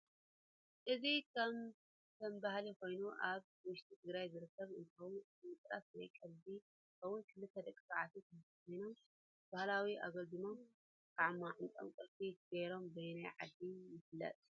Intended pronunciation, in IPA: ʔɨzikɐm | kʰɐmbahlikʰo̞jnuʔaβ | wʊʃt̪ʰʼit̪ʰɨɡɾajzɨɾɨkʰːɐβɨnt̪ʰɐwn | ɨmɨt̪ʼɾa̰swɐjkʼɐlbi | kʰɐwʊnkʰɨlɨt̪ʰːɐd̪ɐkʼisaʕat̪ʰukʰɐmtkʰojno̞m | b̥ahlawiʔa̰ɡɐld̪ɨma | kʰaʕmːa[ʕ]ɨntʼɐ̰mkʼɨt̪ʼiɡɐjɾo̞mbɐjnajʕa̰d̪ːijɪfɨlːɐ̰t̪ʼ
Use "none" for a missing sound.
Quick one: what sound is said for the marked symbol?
ʕ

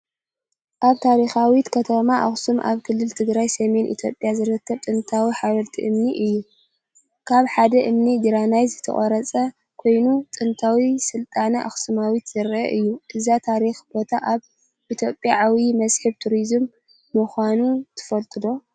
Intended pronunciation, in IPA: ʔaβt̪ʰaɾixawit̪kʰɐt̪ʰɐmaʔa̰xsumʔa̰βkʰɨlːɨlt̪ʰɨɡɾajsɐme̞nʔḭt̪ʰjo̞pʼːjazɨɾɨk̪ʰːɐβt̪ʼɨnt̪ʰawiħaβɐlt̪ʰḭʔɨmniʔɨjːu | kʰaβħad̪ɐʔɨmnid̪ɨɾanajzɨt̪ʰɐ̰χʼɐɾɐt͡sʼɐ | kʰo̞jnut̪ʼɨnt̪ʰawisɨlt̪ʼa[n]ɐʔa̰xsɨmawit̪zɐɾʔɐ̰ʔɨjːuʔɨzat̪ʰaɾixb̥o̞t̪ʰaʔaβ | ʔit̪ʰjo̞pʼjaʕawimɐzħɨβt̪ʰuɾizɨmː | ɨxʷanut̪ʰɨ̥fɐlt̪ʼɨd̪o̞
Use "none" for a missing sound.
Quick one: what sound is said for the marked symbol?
n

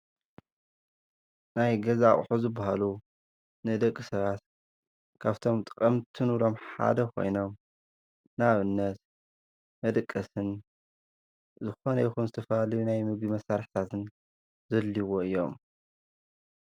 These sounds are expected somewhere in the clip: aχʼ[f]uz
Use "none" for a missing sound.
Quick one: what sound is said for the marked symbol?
ħ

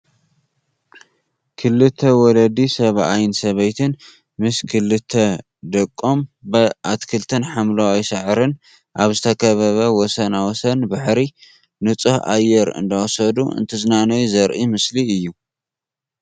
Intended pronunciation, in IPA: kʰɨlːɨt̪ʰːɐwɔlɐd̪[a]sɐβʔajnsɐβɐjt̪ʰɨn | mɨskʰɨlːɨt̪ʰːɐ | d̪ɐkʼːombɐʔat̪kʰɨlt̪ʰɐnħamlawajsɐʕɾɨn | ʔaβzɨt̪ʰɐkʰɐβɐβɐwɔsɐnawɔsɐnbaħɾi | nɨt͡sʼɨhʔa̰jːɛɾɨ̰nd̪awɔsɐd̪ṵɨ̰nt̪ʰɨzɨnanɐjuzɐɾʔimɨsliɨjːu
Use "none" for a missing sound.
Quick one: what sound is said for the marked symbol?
i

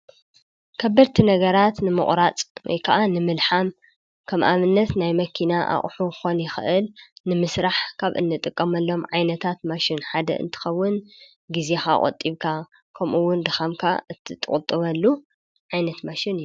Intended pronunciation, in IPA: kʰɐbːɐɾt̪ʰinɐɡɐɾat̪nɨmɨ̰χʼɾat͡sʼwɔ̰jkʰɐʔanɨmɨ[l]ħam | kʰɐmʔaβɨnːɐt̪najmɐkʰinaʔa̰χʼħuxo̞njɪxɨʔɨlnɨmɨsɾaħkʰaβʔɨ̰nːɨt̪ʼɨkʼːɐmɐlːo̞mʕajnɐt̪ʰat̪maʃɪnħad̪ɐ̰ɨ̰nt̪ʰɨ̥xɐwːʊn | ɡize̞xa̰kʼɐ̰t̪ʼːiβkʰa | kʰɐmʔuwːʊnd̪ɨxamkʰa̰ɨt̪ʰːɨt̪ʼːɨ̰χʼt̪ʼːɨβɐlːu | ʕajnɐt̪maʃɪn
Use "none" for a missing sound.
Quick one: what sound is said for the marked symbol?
l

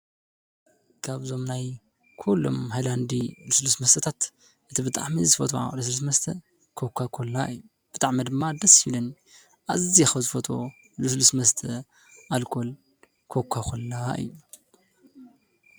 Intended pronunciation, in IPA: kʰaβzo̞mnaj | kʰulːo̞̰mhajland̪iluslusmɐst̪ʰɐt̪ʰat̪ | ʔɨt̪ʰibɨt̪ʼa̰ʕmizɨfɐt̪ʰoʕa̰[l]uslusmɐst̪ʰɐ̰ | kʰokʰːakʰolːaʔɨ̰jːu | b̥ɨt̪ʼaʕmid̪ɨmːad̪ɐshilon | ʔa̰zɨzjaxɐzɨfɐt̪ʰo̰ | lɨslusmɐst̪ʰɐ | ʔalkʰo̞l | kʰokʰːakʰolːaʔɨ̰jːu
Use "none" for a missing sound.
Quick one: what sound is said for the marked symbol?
l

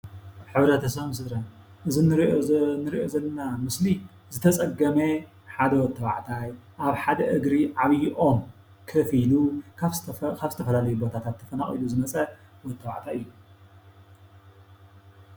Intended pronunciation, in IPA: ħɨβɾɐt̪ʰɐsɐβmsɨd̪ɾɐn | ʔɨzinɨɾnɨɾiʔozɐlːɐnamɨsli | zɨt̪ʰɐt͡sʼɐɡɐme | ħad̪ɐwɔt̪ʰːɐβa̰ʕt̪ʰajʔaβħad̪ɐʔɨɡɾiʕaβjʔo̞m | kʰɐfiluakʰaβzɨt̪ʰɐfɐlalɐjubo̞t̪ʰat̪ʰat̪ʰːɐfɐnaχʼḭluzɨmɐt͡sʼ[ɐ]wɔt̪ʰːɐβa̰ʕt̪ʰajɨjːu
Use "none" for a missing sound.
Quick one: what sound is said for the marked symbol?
ɐ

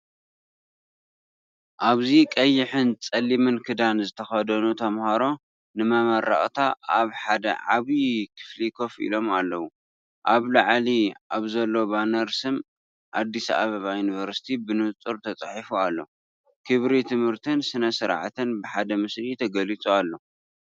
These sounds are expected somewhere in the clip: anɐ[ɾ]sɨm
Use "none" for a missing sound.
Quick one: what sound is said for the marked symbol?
ɾ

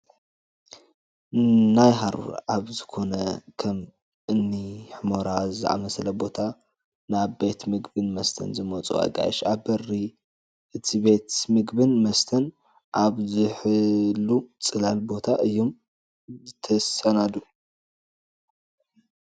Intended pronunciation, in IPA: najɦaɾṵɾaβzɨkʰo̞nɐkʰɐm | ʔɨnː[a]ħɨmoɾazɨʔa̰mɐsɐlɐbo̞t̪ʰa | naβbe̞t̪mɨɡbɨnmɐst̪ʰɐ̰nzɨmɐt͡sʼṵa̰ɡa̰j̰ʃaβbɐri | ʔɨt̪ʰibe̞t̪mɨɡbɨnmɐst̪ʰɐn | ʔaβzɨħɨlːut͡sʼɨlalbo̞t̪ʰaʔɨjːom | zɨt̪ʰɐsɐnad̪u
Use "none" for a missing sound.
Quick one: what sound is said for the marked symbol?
i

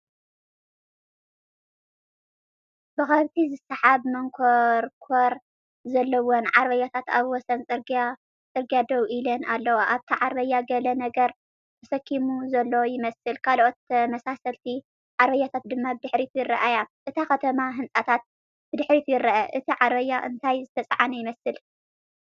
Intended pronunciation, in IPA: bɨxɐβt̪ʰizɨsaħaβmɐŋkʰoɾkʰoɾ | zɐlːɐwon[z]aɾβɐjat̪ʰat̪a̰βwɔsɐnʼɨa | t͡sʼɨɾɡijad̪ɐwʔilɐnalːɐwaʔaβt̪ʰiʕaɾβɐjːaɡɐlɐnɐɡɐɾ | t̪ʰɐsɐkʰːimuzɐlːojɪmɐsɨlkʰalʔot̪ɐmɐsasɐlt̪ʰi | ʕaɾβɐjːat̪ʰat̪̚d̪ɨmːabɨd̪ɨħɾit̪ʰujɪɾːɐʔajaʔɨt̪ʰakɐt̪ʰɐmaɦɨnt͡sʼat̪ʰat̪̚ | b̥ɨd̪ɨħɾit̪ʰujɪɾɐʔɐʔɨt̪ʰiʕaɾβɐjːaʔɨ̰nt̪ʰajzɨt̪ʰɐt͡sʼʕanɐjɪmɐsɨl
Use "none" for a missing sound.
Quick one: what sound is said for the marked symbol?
ʕ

